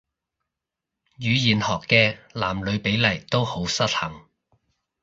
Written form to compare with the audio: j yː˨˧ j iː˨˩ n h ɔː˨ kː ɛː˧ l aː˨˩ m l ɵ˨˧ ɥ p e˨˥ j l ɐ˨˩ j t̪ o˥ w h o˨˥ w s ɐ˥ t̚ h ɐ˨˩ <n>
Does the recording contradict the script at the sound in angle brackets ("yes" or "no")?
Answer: yes